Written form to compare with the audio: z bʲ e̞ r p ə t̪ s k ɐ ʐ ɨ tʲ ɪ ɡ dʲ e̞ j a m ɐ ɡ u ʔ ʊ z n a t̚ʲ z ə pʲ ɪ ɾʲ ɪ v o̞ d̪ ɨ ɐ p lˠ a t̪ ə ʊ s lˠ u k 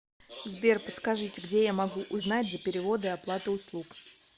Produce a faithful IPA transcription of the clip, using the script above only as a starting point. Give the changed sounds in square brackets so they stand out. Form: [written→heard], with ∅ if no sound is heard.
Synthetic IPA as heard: z bʲ e̞ r p ə t̪ s k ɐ ʐ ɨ tʲ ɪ ɡ dʲ e̞ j a m ɐ ɡ u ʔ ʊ z n a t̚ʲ z ə pʲ ɪ ɾʲ ɪ v o̞ d̪ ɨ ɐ p lˠ a t̪ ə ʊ s lˠ u k